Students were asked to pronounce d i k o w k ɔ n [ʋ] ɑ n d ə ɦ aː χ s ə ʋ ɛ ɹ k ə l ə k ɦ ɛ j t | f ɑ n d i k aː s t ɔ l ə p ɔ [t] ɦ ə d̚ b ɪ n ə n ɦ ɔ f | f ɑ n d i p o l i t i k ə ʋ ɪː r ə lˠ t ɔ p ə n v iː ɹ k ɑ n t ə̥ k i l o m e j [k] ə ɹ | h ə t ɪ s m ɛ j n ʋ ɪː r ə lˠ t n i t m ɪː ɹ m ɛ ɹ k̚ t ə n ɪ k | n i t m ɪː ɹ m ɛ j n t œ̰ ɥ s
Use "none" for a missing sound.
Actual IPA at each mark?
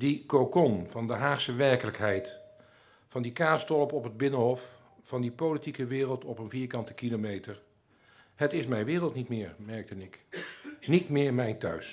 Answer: v, p, t

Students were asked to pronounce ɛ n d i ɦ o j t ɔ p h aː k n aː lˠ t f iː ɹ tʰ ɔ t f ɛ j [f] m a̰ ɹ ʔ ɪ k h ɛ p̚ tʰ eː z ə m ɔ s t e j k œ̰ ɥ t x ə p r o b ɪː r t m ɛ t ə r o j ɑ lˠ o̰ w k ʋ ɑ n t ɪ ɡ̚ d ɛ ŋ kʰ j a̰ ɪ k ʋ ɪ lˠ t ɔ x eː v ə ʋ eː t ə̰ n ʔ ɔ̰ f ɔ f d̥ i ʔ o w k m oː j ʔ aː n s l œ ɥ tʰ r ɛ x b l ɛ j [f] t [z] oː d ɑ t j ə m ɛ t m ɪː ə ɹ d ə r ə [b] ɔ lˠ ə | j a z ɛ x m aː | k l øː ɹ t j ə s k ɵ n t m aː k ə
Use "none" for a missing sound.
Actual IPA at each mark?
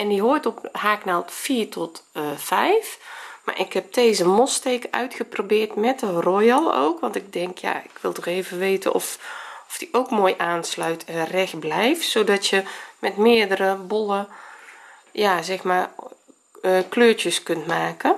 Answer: f, f, s, b

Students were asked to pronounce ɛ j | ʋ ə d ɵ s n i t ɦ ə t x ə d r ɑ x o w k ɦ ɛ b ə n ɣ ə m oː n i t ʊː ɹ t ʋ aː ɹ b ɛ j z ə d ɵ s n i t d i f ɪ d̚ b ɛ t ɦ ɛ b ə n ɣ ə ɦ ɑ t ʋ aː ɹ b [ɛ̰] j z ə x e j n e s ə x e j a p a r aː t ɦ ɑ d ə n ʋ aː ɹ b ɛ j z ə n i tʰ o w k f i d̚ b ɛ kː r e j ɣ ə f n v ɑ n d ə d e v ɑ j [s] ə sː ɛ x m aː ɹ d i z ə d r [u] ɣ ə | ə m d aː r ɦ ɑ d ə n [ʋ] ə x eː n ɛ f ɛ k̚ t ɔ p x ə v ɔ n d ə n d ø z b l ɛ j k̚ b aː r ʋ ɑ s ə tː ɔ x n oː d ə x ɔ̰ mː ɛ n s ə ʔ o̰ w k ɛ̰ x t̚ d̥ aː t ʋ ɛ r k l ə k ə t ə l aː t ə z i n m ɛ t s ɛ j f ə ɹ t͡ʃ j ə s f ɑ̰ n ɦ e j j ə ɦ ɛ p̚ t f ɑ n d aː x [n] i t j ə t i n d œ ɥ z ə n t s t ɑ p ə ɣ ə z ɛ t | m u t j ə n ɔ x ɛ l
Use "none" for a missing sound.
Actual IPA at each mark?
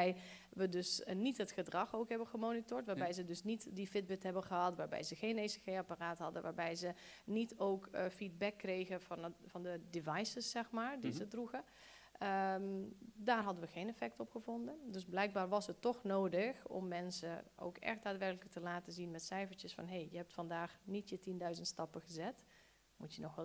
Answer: ɛ̰, s, u, ʋ, n

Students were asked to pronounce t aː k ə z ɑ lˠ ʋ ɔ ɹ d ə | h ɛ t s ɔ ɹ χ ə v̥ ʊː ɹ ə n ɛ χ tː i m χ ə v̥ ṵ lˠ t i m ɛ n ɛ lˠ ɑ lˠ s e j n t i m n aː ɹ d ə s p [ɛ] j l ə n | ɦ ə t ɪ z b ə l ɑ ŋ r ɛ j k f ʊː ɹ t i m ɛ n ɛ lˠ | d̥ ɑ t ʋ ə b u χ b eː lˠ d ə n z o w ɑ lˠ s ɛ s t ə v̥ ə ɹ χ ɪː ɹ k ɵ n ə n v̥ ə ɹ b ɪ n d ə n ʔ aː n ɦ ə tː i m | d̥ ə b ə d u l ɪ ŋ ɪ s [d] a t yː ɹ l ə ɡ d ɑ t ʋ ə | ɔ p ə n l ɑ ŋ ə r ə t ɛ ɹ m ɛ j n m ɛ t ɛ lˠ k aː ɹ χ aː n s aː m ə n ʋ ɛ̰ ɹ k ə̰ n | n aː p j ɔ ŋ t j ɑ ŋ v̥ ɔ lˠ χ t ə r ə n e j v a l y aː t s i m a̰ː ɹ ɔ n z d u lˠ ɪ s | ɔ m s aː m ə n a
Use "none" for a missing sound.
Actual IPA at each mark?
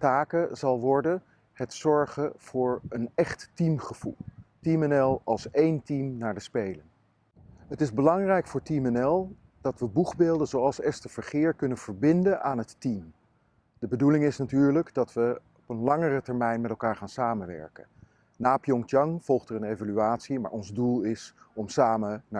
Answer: e, n

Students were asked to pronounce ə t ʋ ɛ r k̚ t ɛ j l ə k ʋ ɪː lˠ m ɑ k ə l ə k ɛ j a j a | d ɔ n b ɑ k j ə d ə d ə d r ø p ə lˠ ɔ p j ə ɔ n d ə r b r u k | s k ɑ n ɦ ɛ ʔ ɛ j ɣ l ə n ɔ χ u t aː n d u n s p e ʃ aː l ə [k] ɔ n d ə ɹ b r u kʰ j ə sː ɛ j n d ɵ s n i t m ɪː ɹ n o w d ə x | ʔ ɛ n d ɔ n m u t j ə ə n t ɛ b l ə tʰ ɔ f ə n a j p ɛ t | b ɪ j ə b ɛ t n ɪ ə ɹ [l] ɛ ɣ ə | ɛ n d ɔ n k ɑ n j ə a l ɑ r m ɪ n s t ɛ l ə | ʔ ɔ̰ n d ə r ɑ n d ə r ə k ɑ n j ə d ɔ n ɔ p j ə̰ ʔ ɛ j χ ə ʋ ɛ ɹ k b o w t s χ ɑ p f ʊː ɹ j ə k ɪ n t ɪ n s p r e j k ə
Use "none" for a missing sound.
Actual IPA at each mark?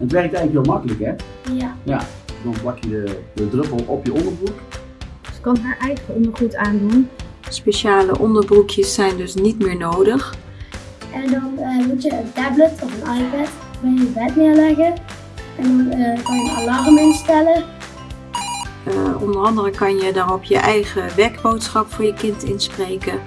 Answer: ʔ, l

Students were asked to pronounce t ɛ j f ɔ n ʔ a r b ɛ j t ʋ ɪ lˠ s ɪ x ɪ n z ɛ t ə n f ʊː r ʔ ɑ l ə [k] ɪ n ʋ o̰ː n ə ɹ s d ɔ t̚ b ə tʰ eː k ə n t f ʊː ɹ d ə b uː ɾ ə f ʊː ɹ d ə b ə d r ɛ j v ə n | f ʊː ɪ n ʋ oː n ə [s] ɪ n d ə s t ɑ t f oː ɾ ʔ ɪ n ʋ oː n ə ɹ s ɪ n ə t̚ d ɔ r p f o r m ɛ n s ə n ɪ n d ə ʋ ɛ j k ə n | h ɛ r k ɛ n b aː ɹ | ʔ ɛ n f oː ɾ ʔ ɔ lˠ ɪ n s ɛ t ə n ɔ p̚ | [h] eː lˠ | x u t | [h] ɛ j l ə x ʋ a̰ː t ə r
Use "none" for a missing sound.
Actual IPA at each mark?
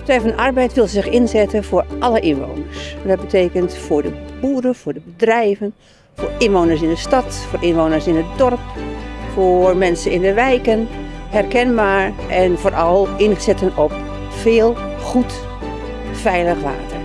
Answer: ʔ, s, f, f

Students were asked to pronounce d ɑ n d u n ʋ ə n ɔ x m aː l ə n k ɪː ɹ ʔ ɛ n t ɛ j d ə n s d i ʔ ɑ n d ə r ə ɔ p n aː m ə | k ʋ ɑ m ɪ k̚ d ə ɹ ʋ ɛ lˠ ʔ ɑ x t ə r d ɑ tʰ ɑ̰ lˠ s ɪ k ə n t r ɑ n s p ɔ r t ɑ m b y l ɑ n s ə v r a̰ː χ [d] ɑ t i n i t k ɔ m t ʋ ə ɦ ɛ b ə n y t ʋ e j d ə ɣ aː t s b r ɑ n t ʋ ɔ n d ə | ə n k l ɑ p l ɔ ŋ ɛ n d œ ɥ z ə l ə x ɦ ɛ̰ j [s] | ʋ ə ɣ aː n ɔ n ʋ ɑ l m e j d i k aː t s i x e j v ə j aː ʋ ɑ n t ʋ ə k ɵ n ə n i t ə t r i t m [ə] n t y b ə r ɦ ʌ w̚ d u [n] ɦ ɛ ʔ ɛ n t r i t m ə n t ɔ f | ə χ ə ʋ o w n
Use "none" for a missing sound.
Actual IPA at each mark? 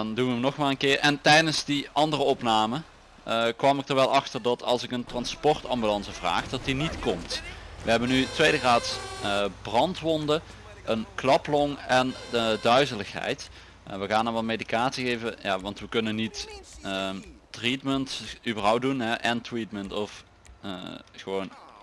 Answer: d, t, ə, n

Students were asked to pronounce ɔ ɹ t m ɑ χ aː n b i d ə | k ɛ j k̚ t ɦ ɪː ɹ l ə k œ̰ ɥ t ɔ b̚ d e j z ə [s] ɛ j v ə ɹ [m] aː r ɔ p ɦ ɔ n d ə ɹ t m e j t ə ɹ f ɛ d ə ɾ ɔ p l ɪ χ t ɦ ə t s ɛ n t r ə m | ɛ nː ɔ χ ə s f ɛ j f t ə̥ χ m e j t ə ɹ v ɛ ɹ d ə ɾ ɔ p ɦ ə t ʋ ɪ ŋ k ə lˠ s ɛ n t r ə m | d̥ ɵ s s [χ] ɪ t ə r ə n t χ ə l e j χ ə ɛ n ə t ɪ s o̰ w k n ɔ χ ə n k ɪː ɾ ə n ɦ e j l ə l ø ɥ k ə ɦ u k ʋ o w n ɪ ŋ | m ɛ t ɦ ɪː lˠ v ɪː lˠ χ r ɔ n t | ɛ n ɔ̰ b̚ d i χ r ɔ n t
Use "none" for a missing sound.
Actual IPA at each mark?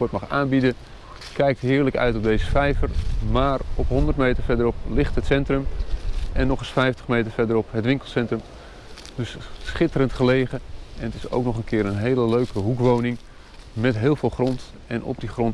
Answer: f, m, χ

